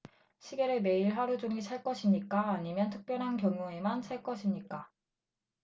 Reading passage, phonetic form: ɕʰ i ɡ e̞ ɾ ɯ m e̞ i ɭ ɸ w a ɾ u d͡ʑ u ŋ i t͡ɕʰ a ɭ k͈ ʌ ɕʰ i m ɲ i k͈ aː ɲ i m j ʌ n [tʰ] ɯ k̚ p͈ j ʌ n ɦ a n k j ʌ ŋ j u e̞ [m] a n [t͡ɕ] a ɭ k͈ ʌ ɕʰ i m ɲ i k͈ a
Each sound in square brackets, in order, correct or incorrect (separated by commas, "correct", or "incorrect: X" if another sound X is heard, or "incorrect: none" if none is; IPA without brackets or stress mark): correct, correct, incorrect: t͡ɕʰ